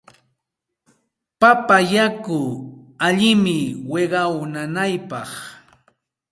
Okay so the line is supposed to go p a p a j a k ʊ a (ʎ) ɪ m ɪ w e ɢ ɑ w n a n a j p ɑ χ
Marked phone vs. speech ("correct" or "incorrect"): correct